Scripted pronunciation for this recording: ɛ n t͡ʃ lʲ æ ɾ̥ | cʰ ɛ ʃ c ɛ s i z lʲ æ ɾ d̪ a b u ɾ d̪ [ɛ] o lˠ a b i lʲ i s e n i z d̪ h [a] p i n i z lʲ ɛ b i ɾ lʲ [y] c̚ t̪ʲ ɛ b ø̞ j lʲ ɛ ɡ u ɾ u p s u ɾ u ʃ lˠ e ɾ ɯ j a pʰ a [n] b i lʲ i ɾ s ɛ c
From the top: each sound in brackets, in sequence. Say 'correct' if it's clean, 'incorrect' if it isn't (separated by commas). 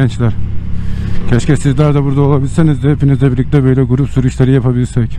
incorrect, incorrect, incorrect, incorrect